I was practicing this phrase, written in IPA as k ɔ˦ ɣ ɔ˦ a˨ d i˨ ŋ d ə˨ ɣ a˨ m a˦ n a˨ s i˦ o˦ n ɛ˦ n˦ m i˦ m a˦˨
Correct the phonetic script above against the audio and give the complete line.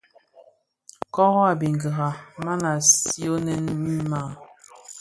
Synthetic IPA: k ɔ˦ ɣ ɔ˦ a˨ b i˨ ŋ ɡ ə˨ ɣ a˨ m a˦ n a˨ s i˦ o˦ n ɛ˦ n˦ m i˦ m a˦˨